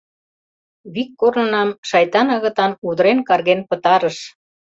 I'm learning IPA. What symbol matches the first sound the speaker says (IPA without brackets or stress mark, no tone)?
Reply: β